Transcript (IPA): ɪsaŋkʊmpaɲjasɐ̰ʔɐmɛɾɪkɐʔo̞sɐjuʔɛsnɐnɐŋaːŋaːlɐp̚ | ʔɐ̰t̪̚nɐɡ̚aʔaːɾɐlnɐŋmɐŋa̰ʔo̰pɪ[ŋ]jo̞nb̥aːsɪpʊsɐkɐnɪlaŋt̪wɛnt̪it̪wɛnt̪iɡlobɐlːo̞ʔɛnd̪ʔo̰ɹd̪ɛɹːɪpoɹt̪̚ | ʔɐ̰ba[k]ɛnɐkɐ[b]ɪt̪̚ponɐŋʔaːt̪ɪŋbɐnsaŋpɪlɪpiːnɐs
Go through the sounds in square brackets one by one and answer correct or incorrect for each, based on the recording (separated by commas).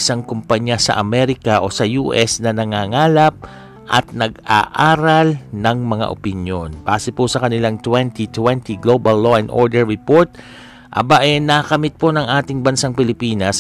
incorrect, incorrect, incorrect